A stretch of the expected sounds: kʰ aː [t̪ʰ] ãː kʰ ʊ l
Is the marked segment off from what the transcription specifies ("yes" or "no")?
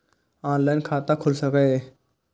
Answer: yes